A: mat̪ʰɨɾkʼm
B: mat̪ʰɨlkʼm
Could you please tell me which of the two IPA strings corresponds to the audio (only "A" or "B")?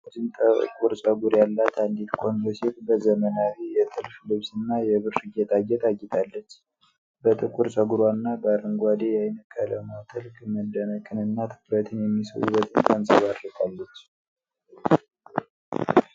B